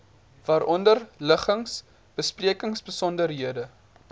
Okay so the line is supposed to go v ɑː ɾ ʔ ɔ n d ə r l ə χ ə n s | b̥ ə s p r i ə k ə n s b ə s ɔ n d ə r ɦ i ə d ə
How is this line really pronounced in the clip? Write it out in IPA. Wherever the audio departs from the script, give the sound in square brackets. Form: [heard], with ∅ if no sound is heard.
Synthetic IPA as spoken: v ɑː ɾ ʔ ɔ n d ə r l ə χ ə [ŋ] s | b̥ ə s p r i ə k ə [ŋ] s b ə s ɔ n d ə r ɦ i ə d ə